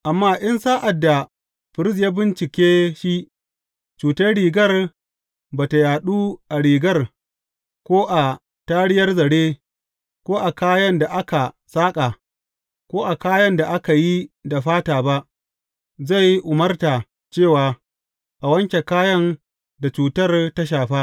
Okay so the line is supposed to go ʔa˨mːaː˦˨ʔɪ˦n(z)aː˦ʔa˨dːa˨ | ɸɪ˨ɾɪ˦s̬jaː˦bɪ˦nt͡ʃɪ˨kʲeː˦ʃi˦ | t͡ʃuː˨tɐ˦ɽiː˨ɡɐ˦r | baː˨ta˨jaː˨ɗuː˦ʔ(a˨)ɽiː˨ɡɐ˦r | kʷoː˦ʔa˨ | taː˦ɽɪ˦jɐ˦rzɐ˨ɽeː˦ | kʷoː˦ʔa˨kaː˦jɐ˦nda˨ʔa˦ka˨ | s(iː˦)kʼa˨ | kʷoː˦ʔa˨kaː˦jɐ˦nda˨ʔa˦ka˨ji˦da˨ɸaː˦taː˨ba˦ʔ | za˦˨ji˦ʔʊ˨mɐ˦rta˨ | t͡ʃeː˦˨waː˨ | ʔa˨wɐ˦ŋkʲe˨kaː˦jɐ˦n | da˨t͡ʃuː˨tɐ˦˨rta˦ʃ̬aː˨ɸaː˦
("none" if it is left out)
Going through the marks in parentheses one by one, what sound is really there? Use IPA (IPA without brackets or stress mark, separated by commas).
s, a˨, aː˦